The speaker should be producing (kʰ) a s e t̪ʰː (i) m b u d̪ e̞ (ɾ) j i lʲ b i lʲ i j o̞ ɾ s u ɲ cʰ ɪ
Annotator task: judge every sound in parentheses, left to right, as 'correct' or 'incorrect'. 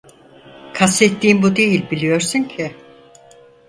correct, incorrect: iː, incorrect: none

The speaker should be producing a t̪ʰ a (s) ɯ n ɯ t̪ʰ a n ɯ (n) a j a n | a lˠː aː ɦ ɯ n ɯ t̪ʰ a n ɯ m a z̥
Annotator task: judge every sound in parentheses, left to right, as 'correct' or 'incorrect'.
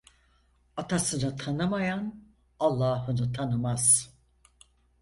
correct, incorrect: m

